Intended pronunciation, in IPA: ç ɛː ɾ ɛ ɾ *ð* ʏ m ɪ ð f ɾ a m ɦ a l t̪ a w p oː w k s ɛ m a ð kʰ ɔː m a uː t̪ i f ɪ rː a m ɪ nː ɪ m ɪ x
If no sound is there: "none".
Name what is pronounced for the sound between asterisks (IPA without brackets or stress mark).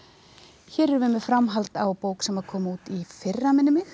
v